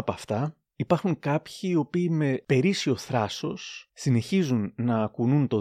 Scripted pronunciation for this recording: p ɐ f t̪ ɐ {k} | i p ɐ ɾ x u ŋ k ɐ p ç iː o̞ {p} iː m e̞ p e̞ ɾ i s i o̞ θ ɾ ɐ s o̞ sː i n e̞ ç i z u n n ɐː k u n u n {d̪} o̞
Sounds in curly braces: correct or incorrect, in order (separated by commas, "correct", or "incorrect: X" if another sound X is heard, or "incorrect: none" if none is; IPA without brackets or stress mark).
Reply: incorrect: none, correct, incorrect: t̪